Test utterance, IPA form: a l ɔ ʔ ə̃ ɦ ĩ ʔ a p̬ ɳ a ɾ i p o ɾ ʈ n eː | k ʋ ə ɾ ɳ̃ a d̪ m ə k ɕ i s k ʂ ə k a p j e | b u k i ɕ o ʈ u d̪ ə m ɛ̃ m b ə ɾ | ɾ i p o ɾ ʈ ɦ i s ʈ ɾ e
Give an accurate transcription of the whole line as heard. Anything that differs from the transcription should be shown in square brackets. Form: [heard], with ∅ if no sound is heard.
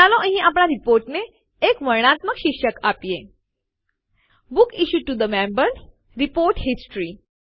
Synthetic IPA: a l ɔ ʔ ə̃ ɦ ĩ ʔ a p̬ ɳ a ɾ i p o ɾ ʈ n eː | k ʋ ə ɾ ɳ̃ a [t̪] m ə k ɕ i [∅] k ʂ ə k a p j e | b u k i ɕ [u] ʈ u d̪ ə m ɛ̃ m b ə ɾ | ɾ i p o ɾ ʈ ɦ i s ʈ ɾ [i]

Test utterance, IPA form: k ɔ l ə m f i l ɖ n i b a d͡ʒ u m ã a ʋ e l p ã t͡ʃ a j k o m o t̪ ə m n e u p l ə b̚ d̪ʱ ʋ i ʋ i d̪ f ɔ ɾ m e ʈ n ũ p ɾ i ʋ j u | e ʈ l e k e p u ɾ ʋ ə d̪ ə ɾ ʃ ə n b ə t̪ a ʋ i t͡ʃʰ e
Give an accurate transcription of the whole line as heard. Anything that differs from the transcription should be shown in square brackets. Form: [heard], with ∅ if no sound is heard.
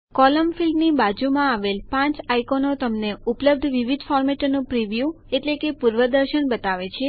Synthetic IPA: k ɔ l ə m f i l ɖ n i b a d͡ʒ u m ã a ʋ e l p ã t͡ʃ a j k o [n] o t̪ ə m n e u p l ə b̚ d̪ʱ ʋ i ʋ i d̪ f ɔ ɾ m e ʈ n ũ p ɾ i ʋ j u | e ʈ l e k e p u ɾ ʋ ə d̪ ə ɾ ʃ ə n b ə t̪ a ʋ [e] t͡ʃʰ e

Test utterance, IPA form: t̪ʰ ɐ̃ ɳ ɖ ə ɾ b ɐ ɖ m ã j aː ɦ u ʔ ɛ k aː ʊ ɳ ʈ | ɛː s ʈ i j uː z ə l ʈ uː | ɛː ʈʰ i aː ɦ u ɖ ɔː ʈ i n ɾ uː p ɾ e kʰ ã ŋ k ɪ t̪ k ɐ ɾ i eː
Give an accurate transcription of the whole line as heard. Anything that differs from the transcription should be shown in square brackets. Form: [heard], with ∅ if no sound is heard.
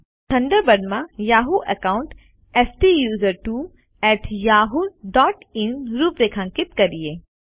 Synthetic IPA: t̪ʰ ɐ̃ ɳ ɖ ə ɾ b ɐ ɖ m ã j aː ɦ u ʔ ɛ k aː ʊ ɳ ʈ | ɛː s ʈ i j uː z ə [ɾ] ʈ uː | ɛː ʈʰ [j] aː ɦ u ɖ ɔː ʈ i n ɾ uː p ɾ e kʰ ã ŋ k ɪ t̪ k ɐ ɾ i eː

